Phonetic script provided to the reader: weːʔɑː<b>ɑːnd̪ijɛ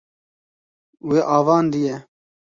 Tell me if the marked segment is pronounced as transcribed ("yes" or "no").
no